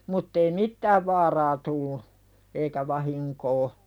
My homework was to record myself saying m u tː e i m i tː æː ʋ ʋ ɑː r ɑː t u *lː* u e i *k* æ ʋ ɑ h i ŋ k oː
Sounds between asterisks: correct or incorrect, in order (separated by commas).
correct, correct